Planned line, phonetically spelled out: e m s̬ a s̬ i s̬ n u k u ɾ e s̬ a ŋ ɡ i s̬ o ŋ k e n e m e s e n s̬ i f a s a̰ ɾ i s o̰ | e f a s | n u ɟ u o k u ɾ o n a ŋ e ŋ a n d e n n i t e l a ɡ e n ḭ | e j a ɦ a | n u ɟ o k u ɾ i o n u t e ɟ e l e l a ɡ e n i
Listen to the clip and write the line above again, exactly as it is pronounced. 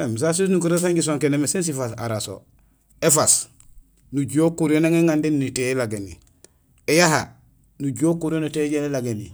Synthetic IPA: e m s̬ a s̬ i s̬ n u k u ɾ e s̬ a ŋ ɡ i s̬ o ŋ k e n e m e s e n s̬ i f a s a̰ ɾ a s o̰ | e f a s | n u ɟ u o k u ɾ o n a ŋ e ŋ a n d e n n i t e l a ɡ e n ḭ | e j a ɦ a | n u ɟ o k u ɾ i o n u t e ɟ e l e l a ɡ e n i